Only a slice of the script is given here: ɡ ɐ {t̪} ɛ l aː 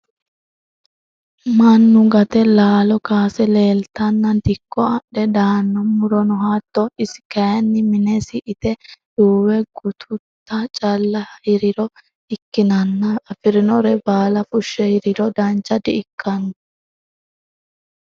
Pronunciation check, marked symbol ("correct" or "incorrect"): correct